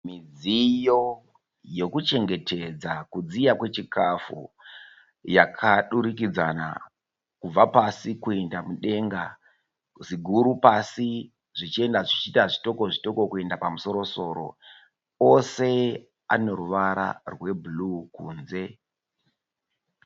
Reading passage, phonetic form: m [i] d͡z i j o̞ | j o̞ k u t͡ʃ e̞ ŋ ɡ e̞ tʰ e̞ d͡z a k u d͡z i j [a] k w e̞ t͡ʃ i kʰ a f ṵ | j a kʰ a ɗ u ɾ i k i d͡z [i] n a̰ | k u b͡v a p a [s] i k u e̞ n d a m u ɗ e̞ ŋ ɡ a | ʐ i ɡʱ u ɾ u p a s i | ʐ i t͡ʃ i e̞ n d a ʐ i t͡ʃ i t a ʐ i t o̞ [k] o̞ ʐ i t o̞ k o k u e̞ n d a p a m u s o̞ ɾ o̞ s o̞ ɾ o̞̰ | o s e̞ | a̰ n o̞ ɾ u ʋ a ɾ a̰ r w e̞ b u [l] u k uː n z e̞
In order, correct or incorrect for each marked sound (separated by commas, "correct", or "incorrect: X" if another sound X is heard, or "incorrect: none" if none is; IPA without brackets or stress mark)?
correct, correct, incorrect: a, correct, correct, correct